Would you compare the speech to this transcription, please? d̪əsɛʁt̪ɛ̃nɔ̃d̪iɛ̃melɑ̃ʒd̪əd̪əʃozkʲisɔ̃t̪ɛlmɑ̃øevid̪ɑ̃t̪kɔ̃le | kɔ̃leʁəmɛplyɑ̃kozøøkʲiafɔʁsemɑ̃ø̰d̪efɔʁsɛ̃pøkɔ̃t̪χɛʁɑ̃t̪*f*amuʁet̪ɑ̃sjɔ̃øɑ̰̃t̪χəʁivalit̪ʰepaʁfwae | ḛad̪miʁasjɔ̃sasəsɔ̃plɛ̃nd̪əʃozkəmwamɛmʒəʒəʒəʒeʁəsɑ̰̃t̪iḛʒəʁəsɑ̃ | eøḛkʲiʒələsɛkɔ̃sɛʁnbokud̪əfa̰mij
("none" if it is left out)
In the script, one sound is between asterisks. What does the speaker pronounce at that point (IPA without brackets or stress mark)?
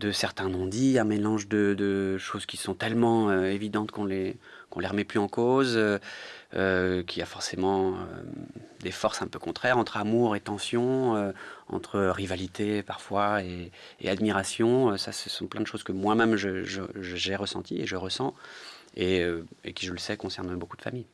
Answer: χ